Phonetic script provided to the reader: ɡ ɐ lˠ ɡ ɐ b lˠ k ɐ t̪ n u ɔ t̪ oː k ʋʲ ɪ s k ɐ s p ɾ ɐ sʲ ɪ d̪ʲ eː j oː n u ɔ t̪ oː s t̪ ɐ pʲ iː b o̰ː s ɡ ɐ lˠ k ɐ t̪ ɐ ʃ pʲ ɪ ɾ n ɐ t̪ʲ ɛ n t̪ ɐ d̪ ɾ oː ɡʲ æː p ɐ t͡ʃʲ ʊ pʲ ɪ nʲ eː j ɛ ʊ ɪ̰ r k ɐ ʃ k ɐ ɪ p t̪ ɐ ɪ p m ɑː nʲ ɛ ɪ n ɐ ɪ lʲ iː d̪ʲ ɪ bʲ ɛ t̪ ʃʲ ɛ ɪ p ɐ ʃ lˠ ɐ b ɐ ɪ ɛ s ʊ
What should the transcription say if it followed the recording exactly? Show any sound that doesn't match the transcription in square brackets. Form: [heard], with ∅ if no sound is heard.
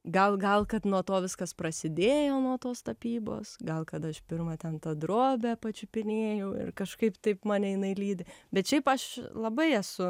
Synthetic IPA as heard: ɡ ɐ lˠ ɡ ɐ [∅] lˠ k ɐ t̪ n u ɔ t̪ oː [∅] ʋʲ ɪ s k ɐ s p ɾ ɐ sʲ ɪ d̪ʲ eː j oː n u ɔ t̪ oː s t̪ ɐ pʲ iː b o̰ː s ɡ ɐ lˠ k ɐ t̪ ɐ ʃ pʲ ɪ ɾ [m] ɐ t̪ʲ ɛ n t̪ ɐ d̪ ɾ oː [bʲ] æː p ɐ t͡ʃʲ ʊ pʲ ɪ nʲ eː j ɛ ʊ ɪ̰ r k ɐ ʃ k ɐ ɪ p t̪ ɐ ɪ p m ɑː nʲ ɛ ɪ n ɐ ɪ lʲ iː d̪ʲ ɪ bʲ ɛ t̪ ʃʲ ɛ ɪ p ɐ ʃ lˠ ɐ b ɐ ɪ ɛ s ʊ